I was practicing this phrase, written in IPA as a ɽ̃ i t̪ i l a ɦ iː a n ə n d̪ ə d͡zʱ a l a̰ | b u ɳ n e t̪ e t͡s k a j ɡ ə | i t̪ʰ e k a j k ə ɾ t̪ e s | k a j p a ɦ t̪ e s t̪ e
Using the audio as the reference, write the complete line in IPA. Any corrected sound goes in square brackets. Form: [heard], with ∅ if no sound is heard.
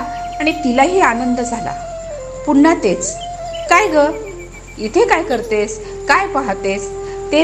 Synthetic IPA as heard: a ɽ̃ i t̪ i l a ɦ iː a n ə n d̪ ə d͡zʱ a l a̰ | [p] u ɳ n [a] t̪ e t͡s k a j ɡ ə | i t̪ʰ e k a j k ə ɾ t̪ e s | k a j p a ɦ t̪ e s t̪ e